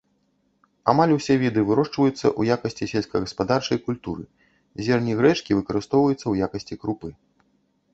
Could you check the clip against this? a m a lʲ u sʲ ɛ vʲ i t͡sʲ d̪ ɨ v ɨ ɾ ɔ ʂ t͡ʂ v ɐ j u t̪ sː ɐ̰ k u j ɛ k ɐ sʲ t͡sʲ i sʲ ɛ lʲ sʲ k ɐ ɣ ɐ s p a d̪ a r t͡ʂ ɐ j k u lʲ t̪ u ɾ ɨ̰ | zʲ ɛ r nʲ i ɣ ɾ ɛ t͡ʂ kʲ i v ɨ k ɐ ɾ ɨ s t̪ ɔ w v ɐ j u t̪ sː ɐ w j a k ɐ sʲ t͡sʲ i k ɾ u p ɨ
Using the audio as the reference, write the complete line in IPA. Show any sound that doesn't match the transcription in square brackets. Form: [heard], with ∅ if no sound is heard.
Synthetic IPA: a m a lʲ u sʲ ɛ vʲ i [∅] d̪ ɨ v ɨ ɾ ɔ ʂ t͡ʂ v ɐ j u t̪ sː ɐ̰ [ʔ] u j [a] k ɐ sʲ t͡sʲ i sʲ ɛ lʲ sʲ k ɐ ɣ ɐ s p a d̪ a r t͡ʂ ɐ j k u lʲ t̪ u ɾ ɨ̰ | zʲ ɛ r nʲ i ɣ ɾ ɛ t͡ʂ kʲ i v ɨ k ɐ ɾ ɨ s t̪ ɔ w v ɐ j u t̪ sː ɐ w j a k ɐ sʲ t͡sʲ i k ɾ u p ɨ